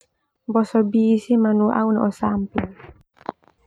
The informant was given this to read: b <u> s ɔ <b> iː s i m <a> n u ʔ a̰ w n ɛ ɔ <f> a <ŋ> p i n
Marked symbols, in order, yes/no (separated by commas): no, yes, yes, no, no